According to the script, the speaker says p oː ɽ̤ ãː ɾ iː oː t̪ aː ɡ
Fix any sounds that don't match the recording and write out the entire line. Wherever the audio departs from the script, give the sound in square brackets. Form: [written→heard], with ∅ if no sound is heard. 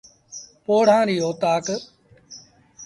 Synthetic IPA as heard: p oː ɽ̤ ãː ɾ iː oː t̪ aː [ɡ→k]